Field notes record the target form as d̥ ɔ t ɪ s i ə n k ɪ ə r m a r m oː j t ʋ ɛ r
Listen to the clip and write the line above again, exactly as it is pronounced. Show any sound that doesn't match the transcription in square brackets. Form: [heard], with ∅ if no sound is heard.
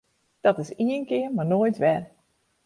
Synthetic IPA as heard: d̥ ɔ t ɪ s i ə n k ɪ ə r m a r [n] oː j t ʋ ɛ r